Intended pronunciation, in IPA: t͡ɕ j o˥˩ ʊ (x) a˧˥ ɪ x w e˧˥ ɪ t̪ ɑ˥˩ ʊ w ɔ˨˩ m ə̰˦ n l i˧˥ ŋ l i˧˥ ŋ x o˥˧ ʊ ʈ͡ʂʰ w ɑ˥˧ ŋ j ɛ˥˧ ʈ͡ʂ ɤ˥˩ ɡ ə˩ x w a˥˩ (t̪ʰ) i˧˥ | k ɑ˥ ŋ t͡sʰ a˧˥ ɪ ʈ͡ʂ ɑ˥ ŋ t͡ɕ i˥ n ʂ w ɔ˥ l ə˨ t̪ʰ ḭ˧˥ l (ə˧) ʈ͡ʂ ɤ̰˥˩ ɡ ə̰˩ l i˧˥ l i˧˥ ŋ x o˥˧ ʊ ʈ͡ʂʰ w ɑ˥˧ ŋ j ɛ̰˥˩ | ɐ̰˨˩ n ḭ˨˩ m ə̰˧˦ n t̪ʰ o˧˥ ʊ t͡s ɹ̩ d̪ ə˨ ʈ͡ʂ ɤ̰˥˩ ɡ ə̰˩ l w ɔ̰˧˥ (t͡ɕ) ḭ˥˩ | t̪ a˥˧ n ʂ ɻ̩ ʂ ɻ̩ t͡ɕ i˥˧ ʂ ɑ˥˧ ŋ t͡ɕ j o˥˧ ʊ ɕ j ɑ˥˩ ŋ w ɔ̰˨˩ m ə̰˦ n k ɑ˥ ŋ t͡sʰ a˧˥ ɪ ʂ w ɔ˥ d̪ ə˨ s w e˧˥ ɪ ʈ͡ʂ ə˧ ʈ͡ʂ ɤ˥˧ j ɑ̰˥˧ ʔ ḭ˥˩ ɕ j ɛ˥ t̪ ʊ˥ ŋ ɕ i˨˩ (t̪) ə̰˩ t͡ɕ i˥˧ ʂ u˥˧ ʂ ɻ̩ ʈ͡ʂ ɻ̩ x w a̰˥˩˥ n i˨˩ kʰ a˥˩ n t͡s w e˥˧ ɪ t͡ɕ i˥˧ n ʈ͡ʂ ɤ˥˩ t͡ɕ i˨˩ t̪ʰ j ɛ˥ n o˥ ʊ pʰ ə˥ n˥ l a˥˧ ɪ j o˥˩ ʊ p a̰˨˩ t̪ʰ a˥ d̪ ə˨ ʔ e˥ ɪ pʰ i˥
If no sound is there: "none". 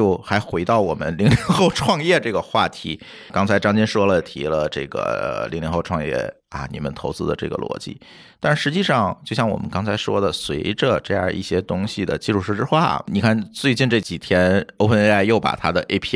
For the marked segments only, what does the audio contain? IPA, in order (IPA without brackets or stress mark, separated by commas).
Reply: x, t̪ʰ, ə˧, t͡ɕ, d̪